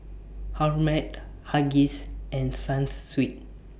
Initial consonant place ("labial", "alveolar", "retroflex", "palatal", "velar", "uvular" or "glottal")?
glottal